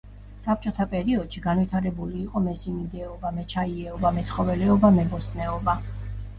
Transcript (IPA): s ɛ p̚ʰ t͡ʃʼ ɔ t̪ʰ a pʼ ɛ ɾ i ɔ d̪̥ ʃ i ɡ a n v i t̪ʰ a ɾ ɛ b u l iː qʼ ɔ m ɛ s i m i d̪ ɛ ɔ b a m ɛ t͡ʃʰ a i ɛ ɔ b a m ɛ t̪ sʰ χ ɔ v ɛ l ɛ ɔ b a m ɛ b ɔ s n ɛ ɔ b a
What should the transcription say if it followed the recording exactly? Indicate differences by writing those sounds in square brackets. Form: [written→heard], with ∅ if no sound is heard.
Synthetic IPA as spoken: s [ɛ→a] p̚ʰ t͡ʃʼ ɔ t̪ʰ a pʼ ɛ ɾ i ɔ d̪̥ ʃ i ɡ a n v i t̪ʰ a ɾ ɛ b u l iː qʼ ɔ m ɛ s i m i d̪ ɛ ɔ b a m ɛ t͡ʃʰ a i ɛ ɔ b a m ɛ t̪ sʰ χ ɔ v ɛ l ɛ ɔ b a m ɛ b ɔ s n ɛ ɔ b a